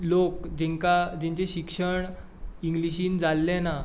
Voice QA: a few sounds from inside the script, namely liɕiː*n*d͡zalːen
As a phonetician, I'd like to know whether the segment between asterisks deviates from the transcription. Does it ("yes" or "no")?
no